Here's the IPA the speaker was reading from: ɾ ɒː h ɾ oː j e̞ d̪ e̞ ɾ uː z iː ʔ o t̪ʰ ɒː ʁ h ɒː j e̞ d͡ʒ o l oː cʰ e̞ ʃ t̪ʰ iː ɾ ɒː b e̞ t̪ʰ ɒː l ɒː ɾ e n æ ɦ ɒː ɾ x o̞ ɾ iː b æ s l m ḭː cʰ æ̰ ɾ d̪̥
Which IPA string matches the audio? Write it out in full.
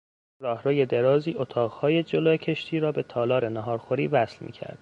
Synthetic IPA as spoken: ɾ ɒː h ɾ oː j e̞ d̪ e̞ ɾ ɒː z iː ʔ o t̪ʰ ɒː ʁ h ɒː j e̞ d͡ʒ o l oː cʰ e̞ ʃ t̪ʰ iː ɾ ɒː b e̞ t̪ʰ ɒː l ɒː ɾ e n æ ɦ ɒː ɾ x o̞ ɾ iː v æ s l m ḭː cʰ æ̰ ɾ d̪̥